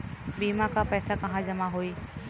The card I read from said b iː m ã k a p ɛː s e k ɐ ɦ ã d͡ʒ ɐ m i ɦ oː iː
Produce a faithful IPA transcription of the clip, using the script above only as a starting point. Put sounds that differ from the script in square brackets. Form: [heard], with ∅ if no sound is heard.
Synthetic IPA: b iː m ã k a p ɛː s [a] k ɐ ɦ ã d͡ʒ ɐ m [a] ɦ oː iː